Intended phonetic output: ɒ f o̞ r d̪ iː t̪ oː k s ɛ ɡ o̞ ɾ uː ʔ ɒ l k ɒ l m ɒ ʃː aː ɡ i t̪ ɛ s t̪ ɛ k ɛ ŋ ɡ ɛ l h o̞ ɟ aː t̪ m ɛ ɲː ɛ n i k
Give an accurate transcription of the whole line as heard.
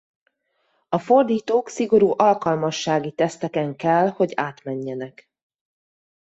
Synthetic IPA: ɒ f o̞ r d̪ iː t̪ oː k s i ɡ o̞ ɾ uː ʔ ɒ l k ɒ l m ɒ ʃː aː ɡ i t̪ ɛ s t̪ ɛ k ɛ ŋ k ɛ l h o̞ ɟ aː t̪ m ɛ ɲː ɛ n ɛ k